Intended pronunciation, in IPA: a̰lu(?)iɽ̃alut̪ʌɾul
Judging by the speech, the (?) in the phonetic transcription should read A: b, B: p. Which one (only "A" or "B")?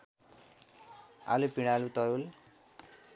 B